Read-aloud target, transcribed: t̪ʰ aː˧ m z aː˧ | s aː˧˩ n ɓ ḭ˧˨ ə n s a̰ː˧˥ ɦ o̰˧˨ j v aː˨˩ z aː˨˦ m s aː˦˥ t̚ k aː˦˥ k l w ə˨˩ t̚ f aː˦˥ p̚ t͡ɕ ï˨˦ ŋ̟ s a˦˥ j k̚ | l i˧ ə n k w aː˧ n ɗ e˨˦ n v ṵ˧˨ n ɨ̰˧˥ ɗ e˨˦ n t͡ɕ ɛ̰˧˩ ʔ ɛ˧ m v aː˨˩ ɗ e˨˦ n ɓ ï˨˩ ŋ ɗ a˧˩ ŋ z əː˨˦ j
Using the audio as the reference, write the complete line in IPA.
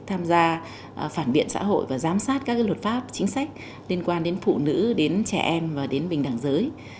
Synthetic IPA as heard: t̪ʰ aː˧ m z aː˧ | f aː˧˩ n ɓ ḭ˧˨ ə n s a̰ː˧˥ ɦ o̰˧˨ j v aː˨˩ z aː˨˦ m s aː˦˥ t̚ k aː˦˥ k l w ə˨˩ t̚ f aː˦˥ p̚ t͡ɕ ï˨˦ ŋ̟ s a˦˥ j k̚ | l i˧ ə n k w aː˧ n ɗ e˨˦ n f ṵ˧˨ n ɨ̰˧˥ ɗ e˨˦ n t͡ɕ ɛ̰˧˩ ʔ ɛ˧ m v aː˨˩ ɗ e˨˦ n ɓ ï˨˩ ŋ ɗ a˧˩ ŋ z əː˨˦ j